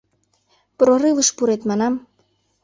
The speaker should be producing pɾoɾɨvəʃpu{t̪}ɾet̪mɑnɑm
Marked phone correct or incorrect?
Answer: incorrect: none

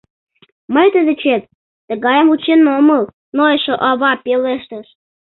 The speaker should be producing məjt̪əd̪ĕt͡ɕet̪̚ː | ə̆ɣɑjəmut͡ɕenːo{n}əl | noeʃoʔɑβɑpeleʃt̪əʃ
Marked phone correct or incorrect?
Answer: incorrect: m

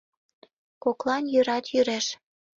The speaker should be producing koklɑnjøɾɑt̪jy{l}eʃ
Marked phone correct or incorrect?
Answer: incorrect: ɾ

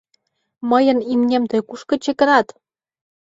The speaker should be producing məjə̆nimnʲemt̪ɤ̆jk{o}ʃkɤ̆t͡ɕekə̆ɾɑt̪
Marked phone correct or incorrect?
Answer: incorrect: u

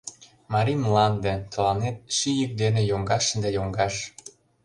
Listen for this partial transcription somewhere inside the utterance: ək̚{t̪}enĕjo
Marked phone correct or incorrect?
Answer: incorrect: d̪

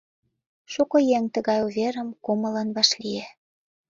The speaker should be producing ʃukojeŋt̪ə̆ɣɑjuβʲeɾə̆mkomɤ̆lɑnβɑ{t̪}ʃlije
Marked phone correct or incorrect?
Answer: incorrect: none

